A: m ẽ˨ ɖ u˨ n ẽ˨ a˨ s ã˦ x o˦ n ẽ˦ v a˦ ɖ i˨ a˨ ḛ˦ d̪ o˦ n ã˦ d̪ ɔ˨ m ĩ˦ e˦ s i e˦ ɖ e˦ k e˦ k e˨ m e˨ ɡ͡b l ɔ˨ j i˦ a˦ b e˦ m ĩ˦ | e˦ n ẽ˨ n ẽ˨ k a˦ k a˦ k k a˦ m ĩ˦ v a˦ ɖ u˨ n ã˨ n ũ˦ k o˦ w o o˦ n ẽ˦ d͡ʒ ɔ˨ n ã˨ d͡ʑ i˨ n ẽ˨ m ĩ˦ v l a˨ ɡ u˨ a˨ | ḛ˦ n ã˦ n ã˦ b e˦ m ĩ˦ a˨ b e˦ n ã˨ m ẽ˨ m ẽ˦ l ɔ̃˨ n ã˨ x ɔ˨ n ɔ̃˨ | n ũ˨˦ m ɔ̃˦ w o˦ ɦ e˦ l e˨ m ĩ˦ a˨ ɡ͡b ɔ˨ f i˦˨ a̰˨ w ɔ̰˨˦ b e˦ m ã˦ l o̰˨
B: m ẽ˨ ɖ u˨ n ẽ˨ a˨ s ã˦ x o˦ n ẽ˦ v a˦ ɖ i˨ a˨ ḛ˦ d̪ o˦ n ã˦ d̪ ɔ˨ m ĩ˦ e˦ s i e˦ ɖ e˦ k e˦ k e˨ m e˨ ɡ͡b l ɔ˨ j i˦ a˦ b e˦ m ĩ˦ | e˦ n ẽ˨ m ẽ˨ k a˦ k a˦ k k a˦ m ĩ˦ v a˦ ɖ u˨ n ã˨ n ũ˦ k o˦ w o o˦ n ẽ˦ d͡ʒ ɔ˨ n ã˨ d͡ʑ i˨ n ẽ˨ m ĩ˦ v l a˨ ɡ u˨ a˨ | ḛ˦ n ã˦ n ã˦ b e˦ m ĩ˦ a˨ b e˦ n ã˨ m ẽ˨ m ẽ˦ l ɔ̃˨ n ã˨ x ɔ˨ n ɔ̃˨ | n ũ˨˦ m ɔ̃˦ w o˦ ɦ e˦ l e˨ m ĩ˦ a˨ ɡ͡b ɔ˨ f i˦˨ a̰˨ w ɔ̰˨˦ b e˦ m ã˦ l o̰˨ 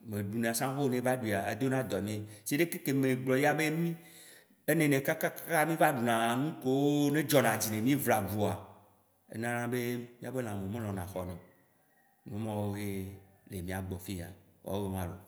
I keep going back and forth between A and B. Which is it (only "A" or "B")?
A